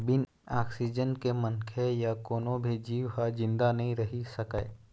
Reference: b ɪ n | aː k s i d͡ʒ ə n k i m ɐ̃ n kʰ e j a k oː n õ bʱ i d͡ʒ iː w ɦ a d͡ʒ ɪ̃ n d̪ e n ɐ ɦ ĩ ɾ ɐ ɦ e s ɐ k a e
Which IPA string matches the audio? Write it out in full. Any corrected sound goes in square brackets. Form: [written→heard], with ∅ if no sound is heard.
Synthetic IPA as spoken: b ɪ n | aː k s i d͡ʒ ə n k [i→e] m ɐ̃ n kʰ e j a k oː n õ bʱ i d͡ʒ iː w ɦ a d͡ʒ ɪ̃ n d̪ [e→a] n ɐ ɦ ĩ ɾ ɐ ɦ [e→i] s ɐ k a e